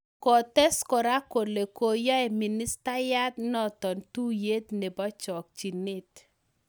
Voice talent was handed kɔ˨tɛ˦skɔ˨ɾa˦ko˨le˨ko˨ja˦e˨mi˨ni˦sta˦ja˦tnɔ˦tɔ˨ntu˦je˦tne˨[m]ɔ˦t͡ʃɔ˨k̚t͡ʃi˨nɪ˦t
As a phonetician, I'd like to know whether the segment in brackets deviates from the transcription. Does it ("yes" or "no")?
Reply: yes